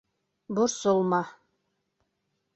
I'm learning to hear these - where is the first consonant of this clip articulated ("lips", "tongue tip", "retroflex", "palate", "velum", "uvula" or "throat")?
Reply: lips